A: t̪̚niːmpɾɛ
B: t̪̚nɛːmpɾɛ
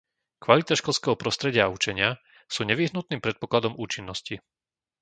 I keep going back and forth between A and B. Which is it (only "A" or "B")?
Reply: A